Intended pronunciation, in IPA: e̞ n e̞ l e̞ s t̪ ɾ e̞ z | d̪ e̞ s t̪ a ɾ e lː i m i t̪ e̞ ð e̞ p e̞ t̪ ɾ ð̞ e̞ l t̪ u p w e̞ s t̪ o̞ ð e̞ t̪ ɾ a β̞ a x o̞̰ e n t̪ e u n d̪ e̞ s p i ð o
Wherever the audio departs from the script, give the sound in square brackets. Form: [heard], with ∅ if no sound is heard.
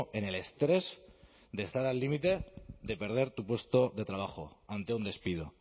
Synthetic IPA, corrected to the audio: e̞ n e̞ l e̞ s t̪ ɾ e̞ z | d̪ e̞ s t̪ a ɾ [a] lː i m i t̪ e̞ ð e̞ p e̞ [∅] ɾ ð̞ e̞ [ɾ] t̪ u p w e̞ s t̪ o̞ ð e̞ t̪ ɾ a β̞ a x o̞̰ [a] n t̪ e u n d̪ e̞ s p i ð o